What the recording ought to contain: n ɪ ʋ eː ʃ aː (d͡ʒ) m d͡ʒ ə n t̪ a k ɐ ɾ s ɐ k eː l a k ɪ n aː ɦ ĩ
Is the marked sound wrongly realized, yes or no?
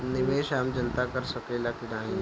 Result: yes